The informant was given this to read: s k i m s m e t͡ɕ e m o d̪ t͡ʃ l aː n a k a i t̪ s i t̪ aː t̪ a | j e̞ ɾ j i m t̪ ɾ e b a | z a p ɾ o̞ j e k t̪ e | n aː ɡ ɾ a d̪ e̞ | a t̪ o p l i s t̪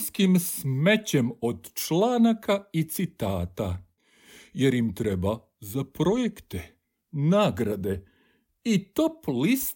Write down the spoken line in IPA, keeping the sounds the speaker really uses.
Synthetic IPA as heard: s k i m s m e t͡ɕ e m o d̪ t͡ʃ l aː n a k a i t̪ s i t̪ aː t̪ a | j e̞ ɾ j i m t̪ ɾ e b a | z a p ɾ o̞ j e k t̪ e | n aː ɡ ɾ a d̪ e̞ | i t̪ o p l i s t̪